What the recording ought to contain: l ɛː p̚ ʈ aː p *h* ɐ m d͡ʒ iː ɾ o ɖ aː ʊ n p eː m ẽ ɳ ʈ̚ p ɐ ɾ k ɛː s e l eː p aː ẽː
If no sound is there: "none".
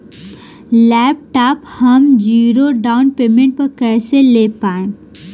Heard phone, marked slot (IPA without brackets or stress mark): h